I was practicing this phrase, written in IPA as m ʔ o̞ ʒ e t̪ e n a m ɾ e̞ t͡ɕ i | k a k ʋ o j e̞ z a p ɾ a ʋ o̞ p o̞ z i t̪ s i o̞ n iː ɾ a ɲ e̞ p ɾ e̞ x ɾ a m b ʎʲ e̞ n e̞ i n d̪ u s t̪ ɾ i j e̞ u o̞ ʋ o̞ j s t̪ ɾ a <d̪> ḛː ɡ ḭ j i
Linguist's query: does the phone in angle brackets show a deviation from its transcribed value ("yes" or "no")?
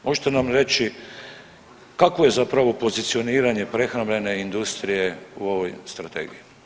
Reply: yes